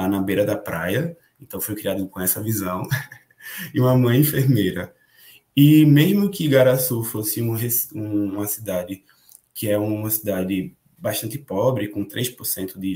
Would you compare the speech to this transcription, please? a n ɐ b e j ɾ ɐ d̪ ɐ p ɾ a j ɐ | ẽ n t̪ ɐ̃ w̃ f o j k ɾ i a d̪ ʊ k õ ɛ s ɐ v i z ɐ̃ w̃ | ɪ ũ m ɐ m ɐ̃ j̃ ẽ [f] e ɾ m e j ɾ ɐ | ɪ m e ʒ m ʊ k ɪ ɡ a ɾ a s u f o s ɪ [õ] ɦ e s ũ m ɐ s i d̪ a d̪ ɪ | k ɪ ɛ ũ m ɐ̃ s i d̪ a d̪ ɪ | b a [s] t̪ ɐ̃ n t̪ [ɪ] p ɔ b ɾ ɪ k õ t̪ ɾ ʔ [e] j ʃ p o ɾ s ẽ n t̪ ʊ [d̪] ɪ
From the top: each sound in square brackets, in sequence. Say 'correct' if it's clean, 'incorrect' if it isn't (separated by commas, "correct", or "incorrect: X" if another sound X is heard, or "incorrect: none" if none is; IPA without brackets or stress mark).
correct, incorrect: ũ, incorrect: ʃ, correct, correct, correct